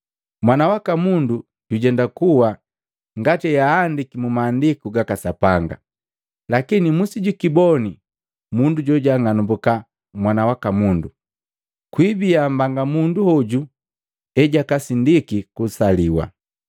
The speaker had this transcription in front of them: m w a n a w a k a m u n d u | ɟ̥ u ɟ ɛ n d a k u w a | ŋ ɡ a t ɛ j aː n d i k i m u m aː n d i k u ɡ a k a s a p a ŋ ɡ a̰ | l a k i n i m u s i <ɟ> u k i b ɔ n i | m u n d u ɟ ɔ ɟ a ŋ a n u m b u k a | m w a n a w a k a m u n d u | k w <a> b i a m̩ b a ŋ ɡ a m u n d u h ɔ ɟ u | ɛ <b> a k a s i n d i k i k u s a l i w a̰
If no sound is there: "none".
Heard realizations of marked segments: ɟ, i, ɟ

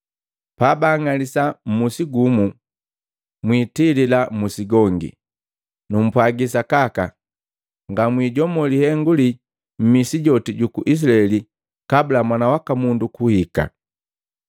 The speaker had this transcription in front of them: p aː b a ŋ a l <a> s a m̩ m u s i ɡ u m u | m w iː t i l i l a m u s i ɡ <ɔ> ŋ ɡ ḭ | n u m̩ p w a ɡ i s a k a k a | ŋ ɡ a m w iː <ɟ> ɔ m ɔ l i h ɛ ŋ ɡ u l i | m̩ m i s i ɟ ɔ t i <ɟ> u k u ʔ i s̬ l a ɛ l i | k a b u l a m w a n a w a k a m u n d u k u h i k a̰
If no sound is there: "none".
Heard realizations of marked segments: i, ɔ, ɟ, ɟ

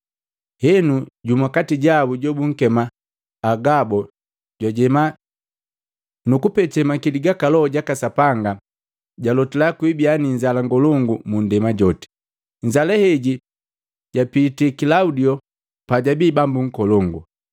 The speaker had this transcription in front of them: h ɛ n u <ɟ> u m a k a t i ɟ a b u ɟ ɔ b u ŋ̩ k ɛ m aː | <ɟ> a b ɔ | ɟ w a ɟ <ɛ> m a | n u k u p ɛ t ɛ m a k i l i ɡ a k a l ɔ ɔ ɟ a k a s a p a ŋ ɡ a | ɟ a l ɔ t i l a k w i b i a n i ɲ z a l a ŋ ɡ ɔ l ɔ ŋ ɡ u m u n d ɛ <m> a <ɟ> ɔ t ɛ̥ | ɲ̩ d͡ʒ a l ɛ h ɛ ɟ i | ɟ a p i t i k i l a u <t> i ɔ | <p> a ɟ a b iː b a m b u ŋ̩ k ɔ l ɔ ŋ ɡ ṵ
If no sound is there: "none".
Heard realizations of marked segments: ɟ, ɡ, ɛ, m, ɟ, d, p

